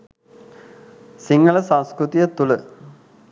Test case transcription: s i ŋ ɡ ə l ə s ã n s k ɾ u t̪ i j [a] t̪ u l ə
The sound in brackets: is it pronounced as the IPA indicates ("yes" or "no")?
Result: no